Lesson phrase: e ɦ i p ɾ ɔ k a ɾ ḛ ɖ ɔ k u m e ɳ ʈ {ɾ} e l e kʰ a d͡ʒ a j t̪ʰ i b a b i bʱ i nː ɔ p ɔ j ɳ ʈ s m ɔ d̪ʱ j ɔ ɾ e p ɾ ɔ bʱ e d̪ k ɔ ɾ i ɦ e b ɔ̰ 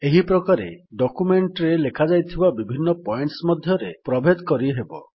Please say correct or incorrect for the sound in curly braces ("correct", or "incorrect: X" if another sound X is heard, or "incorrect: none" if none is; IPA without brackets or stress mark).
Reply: correct